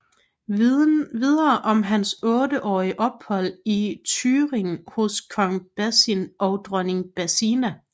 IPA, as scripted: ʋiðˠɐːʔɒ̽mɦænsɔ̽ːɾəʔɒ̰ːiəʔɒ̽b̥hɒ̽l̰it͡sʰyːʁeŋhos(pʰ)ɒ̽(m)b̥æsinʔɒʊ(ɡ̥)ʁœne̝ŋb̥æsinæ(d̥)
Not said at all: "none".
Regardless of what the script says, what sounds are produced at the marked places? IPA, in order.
kʰ, ŋ, d̥, none

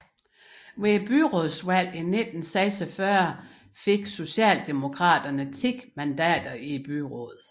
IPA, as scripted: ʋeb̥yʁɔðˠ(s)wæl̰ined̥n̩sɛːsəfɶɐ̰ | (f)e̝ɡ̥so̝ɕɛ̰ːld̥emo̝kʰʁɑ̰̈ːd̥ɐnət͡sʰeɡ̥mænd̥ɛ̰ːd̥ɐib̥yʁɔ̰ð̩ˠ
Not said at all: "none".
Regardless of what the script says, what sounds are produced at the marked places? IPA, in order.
s, f

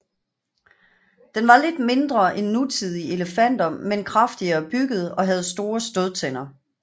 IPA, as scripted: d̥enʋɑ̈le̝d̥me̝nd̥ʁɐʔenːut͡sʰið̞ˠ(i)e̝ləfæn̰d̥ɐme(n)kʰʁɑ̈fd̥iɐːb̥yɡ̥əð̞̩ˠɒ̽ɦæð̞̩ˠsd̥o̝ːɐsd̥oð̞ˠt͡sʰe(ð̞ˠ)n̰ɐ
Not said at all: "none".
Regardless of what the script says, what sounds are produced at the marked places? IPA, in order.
i, n, none

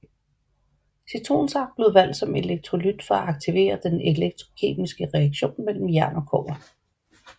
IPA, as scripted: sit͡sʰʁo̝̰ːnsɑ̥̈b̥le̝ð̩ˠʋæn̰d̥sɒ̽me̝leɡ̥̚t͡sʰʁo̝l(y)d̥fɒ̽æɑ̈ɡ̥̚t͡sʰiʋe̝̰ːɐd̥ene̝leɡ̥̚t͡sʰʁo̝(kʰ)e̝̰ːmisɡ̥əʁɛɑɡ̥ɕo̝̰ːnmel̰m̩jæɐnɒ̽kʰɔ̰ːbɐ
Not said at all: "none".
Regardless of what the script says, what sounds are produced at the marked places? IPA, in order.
y, kʰ

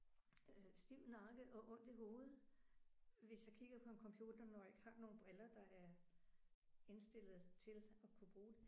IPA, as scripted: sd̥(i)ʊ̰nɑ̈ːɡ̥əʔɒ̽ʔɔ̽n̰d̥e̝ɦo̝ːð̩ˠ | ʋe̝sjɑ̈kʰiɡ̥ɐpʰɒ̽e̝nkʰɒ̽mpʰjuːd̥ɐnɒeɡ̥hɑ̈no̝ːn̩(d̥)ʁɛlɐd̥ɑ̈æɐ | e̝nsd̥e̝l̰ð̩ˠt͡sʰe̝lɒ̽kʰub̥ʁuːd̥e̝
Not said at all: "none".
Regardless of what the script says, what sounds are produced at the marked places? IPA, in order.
i, b̥

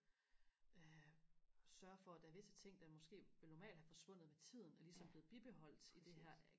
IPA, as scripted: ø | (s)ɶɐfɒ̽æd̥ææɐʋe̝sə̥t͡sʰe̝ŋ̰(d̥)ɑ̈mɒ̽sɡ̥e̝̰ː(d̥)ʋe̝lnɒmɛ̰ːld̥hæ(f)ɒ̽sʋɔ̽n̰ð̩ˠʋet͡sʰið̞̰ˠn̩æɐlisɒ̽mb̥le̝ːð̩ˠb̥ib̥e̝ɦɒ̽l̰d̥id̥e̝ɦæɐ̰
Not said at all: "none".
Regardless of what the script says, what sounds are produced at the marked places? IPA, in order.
s, d̥, none, f

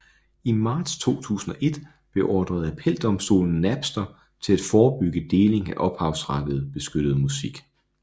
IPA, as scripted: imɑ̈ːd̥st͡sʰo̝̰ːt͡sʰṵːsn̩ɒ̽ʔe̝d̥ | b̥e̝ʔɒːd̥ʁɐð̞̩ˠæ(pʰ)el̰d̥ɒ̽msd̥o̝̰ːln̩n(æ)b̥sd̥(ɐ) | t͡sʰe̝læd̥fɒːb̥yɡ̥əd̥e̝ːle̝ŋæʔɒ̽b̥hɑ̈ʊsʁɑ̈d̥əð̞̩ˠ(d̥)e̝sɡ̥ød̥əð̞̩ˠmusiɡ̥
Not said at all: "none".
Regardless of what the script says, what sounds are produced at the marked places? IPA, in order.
pʰ, æ, ɐ, b̥

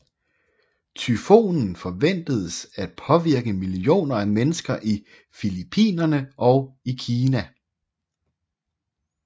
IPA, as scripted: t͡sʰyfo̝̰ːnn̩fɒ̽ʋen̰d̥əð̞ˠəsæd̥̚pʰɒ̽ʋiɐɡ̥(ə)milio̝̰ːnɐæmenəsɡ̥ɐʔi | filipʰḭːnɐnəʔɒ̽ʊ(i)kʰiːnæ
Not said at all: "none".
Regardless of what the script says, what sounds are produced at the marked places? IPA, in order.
ə, i

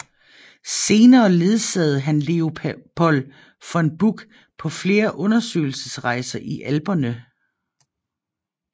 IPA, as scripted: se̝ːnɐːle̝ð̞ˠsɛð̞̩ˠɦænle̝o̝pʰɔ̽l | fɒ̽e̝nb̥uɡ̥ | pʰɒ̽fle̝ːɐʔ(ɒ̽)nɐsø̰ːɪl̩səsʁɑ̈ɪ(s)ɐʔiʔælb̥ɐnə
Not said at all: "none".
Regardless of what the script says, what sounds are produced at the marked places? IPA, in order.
ɔ̽, s

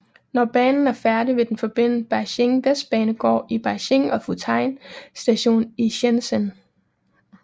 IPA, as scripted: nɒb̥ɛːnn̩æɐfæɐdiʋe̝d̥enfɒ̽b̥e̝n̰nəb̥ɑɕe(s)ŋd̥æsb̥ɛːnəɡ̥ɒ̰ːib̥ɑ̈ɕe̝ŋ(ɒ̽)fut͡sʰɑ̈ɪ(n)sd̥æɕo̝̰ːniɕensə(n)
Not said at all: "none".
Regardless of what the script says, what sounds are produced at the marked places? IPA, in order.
none, ɒ̽, n, n

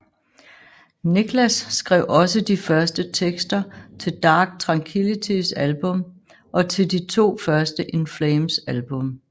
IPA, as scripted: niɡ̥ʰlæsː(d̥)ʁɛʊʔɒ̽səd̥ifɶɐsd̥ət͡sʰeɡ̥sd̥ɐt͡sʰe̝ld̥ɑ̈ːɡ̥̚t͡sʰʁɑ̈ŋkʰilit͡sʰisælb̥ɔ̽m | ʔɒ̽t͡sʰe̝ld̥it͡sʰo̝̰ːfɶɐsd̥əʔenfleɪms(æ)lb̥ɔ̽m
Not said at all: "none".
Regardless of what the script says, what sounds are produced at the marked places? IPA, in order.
ɡ̥, æ

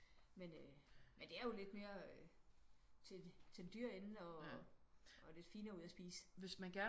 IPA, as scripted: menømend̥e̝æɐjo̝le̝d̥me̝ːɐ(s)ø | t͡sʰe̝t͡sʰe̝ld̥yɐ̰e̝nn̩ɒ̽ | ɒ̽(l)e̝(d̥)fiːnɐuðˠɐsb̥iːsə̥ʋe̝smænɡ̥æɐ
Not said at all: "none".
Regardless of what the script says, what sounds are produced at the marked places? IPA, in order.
none, l, d̥

